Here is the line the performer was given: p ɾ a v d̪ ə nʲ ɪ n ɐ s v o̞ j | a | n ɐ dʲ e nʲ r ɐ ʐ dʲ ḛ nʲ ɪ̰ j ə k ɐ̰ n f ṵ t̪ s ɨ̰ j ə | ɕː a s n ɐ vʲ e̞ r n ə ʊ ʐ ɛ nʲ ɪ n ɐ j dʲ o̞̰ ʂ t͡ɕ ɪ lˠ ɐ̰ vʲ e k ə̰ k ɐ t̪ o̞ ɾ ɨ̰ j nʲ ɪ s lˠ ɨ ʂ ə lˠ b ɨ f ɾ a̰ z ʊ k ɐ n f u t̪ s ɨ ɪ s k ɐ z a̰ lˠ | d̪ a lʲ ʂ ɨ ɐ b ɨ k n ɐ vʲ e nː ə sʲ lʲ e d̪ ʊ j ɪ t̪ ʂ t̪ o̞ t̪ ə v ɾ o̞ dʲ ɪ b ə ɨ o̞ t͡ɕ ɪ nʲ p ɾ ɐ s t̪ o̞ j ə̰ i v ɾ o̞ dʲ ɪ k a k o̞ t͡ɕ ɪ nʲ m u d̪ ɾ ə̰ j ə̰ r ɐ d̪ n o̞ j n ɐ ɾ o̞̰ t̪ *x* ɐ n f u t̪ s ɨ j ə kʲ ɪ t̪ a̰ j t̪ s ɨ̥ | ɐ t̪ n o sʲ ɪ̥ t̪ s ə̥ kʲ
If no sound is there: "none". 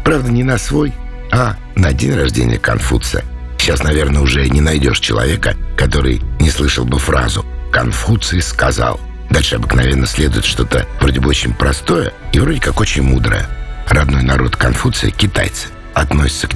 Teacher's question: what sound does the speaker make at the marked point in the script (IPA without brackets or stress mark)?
k